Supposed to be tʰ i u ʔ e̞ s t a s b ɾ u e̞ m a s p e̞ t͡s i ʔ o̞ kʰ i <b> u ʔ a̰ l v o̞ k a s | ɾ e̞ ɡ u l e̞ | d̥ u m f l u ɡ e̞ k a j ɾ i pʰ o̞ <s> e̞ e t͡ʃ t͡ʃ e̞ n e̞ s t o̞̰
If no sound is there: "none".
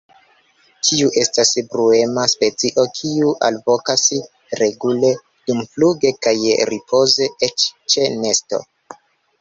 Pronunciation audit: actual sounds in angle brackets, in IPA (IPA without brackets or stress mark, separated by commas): none, z